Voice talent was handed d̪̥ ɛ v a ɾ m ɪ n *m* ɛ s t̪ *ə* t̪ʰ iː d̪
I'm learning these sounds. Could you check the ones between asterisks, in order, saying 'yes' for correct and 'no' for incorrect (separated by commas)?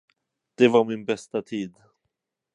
no, no